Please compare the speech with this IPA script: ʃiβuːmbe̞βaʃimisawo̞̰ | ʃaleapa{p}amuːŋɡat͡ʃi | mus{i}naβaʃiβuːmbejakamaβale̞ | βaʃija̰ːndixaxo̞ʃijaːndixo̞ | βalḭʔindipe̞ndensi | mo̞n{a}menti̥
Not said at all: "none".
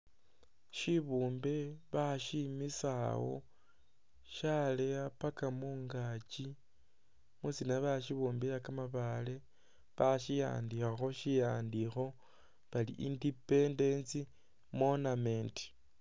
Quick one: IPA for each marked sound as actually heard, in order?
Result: k, i, a

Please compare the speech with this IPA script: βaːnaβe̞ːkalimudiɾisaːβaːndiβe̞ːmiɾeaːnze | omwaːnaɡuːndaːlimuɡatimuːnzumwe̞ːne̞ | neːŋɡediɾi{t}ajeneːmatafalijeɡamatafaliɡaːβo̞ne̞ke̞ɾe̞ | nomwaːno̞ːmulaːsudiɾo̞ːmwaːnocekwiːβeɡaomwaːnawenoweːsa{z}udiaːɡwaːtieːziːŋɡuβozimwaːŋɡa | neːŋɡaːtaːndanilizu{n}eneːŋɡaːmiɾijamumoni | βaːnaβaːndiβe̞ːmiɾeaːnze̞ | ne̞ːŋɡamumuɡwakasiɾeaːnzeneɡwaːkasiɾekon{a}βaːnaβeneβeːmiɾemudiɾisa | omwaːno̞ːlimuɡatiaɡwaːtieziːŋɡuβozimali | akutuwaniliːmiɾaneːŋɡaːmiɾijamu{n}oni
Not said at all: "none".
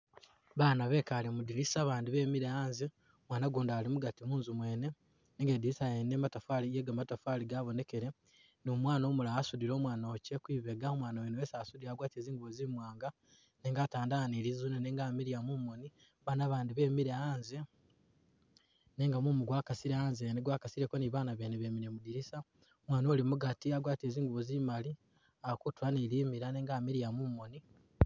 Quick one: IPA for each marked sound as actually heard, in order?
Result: s, s, n, i, m

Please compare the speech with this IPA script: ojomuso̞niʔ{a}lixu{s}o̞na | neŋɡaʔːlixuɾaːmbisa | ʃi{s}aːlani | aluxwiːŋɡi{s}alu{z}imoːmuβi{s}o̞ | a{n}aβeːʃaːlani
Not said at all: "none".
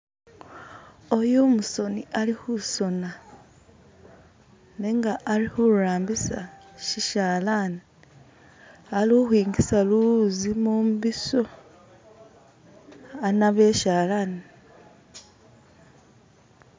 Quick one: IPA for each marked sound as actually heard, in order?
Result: a, s, ʃ, s, z, s, n

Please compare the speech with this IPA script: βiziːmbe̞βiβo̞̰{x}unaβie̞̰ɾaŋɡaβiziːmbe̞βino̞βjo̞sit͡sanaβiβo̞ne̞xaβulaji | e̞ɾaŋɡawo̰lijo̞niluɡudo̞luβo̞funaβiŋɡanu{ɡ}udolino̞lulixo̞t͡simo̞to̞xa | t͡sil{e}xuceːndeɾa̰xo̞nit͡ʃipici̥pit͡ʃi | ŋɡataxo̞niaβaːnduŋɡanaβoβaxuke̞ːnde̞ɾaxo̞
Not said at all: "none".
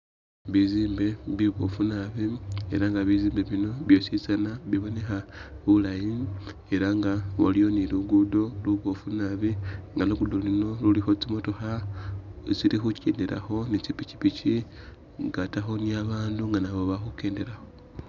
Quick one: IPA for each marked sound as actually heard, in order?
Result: f, ɡ, i

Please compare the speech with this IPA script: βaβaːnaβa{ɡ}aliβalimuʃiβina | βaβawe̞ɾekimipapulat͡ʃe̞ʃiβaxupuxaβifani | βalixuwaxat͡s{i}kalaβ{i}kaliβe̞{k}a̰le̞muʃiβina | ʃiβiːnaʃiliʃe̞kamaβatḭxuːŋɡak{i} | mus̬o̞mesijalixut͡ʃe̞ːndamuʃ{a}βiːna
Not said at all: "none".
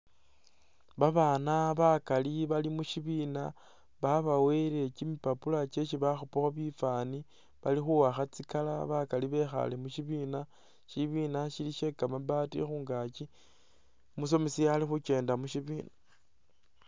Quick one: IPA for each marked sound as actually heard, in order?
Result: k, i, a, x, i, i

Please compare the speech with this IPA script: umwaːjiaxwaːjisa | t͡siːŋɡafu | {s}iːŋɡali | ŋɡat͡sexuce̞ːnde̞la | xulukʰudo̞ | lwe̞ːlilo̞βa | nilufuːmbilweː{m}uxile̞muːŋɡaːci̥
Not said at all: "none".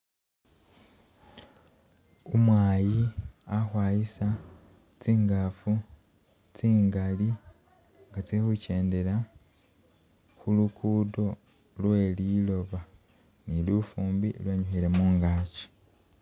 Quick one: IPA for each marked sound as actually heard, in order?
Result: t͡s, ɲ

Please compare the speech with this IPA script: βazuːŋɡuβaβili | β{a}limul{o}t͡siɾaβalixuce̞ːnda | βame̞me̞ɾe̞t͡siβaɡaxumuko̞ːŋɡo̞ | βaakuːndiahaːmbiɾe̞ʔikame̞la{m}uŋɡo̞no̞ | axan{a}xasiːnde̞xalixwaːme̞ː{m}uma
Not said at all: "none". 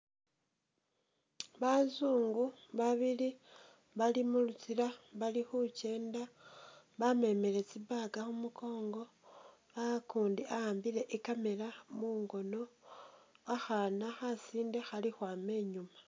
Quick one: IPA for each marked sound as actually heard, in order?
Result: a, u, m, a, ɲ

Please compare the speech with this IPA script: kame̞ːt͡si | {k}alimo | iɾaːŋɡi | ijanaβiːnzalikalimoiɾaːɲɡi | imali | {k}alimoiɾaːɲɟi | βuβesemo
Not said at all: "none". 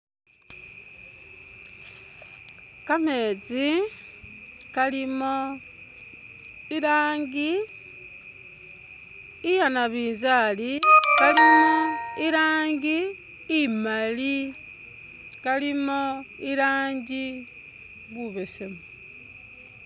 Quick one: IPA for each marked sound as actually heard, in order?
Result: k, k

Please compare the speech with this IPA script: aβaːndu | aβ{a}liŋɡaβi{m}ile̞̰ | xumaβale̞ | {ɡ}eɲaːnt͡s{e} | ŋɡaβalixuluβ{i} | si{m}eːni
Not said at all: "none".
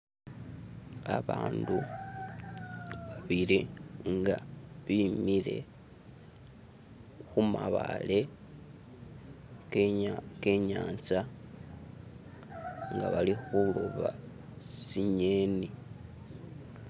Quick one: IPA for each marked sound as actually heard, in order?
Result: i, m, k, a, a, ɲ

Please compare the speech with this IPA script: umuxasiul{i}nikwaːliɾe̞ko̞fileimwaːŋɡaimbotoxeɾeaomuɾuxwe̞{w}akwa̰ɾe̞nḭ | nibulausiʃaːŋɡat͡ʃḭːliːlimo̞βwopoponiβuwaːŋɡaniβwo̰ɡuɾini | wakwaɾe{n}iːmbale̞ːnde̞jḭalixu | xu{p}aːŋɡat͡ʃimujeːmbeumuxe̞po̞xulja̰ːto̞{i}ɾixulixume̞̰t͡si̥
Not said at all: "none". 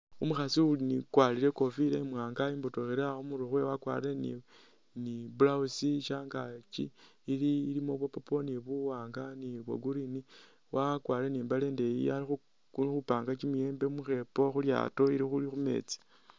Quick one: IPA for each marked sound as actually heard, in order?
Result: i, w, n, p, i

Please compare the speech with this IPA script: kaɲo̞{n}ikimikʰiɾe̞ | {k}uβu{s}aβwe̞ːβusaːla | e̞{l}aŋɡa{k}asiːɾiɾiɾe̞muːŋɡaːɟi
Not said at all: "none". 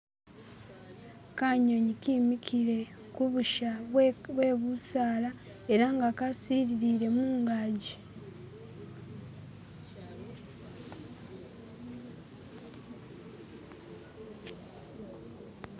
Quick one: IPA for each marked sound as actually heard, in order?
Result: ɲ, k, ʃ, ɾ, k

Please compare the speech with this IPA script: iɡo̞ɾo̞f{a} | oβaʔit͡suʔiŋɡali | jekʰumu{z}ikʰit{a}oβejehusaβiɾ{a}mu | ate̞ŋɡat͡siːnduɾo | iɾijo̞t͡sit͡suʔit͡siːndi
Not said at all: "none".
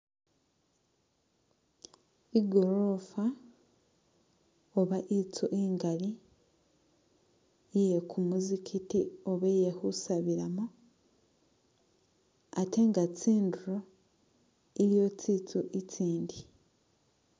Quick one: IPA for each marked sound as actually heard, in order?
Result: a, z, i, a

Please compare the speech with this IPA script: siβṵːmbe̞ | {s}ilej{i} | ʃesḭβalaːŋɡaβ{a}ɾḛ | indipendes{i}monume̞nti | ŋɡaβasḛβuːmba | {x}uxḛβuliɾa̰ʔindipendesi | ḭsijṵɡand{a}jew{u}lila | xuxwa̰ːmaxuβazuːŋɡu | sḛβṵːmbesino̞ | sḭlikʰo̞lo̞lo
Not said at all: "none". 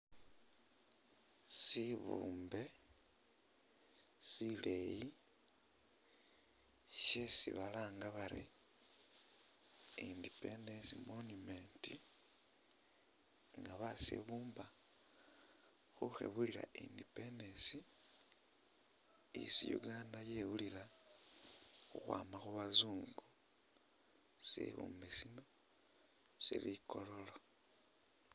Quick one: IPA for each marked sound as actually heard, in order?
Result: s, i, a, i, x, a, u

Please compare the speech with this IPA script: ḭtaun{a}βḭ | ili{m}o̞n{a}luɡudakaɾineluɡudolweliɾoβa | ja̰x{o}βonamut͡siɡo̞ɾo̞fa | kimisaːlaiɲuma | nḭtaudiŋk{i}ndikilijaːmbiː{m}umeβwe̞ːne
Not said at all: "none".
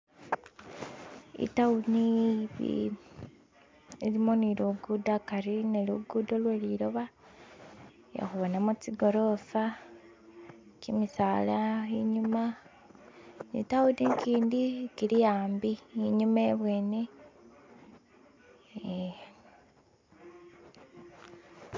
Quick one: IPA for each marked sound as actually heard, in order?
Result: i, m, i, u, iː, ɲ

